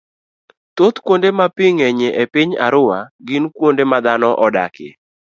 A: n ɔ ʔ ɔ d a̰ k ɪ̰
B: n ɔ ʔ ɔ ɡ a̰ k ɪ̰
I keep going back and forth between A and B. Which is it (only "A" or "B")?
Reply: A